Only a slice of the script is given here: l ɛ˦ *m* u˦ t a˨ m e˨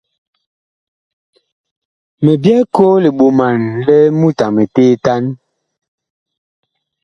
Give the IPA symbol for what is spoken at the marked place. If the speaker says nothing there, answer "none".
m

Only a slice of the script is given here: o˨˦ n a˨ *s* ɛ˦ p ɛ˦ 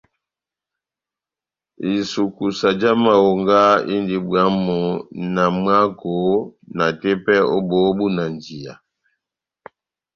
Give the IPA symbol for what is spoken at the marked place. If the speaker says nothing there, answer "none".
t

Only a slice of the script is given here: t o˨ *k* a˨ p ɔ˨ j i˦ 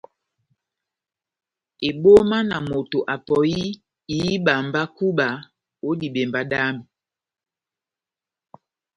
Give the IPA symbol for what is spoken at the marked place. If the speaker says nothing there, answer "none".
ʔ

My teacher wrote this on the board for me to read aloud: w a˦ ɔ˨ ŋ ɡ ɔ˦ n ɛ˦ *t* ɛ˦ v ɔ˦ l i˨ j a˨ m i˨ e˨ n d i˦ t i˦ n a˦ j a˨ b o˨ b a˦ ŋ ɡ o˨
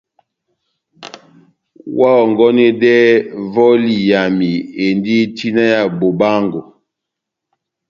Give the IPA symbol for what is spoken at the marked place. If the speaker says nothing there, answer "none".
d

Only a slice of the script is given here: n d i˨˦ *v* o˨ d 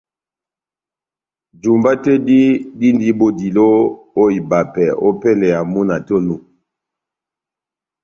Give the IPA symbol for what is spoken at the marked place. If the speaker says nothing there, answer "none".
b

